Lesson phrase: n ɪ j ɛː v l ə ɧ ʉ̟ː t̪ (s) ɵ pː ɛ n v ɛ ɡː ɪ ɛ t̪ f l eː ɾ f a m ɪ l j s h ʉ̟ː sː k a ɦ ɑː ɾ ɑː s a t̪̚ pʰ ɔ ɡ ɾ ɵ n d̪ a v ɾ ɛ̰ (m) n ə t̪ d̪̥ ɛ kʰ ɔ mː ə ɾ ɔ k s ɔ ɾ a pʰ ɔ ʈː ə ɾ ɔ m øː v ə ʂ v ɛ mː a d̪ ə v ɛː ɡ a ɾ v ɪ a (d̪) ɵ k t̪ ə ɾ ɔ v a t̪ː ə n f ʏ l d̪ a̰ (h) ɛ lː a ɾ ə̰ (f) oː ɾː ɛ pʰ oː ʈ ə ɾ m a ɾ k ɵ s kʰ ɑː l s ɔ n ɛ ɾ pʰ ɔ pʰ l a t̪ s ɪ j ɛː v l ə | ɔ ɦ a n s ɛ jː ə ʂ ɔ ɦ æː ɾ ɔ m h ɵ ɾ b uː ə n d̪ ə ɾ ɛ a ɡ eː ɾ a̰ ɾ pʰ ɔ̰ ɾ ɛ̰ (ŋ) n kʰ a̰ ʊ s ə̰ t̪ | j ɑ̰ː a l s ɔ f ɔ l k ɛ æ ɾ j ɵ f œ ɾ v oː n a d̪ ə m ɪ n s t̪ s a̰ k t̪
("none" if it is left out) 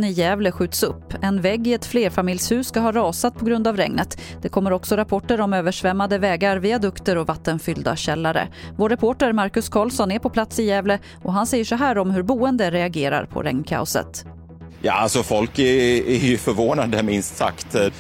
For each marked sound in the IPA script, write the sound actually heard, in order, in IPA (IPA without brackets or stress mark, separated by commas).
s, ŋ, d̪, ɕ, v, ŋ